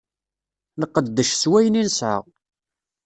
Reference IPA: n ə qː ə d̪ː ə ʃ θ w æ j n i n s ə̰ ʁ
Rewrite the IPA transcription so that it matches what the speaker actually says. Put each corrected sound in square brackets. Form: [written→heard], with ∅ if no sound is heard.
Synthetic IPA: n ə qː ə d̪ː ə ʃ [θ→s] w æ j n i n s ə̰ ʁ